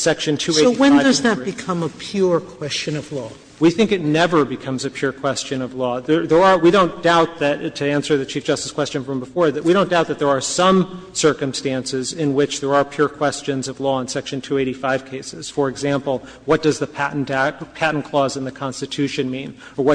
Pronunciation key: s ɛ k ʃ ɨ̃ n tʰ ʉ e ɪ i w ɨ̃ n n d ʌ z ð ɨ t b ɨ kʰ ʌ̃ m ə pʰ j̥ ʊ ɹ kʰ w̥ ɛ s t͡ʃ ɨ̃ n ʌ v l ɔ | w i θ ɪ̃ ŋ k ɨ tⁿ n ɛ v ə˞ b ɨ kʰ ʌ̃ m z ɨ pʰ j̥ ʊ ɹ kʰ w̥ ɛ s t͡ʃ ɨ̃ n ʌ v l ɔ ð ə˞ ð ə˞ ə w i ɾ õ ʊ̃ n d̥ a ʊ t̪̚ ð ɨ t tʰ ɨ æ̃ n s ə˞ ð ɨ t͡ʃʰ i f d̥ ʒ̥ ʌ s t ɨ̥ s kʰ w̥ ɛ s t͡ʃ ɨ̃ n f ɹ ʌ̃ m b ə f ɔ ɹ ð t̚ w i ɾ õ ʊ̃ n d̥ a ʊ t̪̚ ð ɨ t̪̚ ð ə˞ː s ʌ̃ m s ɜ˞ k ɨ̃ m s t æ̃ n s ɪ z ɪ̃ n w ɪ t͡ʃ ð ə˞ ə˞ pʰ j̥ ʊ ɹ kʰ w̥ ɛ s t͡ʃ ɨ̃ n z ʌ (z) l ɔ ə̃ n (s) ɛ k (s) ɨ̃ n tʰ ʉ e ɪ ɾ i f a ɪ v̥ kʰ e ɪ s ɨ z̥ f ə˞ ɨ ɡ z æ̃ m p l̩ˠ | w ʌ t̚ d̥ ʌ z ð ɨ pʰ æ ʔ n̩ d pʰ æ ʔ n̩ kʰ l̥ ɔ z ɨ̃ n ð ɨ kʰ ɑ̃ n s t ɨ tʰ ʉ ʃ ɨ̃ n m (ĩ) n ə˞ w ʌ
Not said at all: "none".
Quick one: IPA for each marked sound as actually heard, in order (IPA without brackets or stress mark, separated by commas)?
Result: v, s, ʃ, ĩ